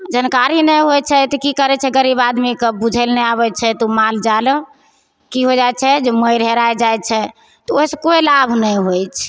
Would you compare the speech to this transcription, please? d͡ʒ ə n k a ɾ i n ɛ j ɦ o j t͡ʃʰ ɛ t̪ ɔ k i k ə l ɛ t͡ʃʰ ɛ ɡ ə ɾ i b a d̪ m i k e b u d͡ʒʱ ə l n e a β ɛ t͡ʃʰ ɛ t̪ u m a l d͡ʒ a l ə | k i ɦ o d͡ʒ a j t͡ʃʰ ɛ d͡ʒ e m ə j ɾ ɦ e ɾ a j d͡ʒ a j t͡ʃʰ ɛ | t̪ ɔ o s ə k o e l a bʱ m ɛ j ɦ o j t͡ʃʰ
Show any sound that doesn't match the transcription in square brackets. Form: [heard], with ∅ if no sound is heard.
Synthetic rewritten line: d͡ʒ ə n k a ɾ i n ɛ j ɦ o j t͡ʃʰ ɛ t̪ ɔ k i k ə [ɾ] ɛ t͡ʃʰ ɛ ɡ ə ɾ i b a d̪ m i k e b u d͡ʒʱ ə l n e a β ɛ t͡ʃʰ ɛ t̪ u m a l d͡ʒ a l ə | k i ɦ o d͡ʒ a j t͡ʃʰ ɛ d͡ʒ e m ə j ɾ ɦ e ɾ a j d͡ʒ a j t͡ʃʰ ɛ | t̪ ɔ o s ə k o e l a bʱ [n] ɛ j ɦ o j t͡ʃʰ

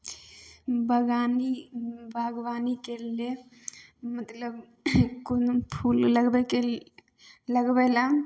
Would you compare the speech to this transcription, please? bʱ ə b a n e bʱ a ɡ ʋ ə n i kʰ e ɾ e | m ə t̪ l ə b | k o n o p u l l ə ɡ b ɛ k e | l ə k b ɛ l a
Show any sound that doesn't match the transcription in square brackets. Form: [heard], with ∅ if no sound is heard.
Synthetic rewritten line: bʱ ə [ɡ] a n [i] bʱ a ɡ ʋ [a] n i [k] e [l] e | m ə t̪ l ə b | k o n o [pʰ] u l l ə ɡ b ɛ k e | l ə [ɡ] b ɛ l a

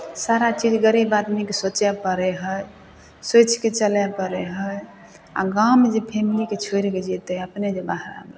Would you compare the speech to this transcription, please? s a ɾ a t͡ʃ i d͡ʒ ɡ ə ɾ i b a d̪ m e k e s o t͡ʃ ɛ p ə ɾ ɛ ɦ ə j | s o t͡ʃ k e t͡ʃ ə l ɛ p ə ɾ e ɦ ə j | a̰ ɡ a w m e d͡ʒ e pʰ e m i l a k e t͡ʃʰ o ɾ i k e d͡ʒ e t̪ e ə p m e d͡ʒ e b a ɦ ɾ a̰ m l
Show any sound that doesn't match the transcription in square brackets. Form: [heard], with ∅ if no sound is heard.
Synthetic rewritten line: s a ɾ a t͡ʃ i d͡ʒ ɡ ə ɾ i b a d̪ m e k e s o t͡ʃ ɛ p ə ɾ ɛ ɦ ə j | s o t͡ʃ k e t͡ʃ ə l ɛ p ə ɾ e ɦ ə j | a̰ ɡ a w m e d͡ʒ e pʰ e m i l [i] k e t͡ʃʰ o ɾ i k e d͡ʒ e t̪ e ə p [n] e d͡ʒ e b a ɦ ɾ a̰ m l

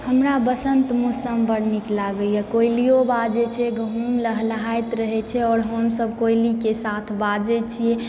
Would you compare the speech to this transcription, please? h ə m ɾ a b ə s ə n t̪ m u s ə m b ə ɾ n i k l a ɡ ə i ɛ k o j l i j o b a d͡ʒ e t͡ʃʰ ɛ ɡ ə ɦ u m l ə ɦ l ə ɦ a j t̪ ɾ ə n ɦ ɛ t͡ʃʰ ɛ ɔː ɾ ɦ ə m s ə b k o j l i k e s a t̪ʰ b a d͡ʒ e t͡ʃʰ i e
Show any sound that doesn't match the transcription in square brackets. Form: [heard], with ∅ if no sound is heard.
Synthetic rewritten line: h ə m ɾ a b ə s ə n t̪ m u s ə m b ə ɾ n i k l a ɡ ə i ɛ k o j l i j o b a d͡ʒ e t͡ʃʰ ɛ ɡ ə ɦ u m l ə ɦ l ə ɦ a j t̪ ɾ ə [∅] ɦ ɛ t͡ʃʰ ɛ ɔː ɾ ɦ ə m s ə b k o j l i k e s a t̪ʰ b a d͡ʒ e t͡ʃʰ i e

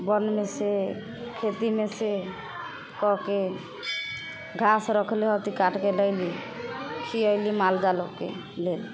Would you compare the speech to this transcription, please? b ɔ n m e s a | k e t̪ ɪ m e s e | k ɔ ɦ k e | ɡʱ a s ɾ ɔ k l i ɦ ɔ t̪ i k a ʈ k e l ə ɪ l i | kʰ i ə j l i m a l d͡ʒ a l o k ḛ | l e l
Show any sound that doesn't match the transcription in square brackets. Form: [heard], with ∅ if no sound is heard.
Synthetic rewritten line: b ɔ n m e s [e] | [kʰ] e t̪ [i] m e s e | k ɔ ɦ k e | ɡʱ a s ɾ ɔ [kʰ] l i ɦ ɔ t̪ i k a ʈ k e l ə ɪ l i | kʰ i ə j l i m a l d͡ʒ a l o k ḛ | l e l

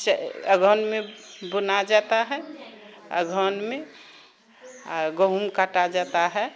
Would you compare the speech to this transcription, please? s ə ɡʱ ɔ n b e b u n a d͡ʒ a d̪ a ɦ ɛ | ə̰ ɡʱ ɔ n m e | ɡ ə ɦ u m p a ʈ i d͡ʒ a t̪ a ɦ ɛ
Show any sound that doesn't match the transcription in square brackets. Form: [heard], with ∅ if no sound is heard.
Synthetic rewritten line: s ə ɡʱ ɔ n [m] e b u n a d͡ʒ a [t̪] a ɦ ɛ | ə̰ ɡʱ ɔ n m e | ɡ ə ɦ u m [k] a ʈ [a] d͡ʒ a t̪ a ɦ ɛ

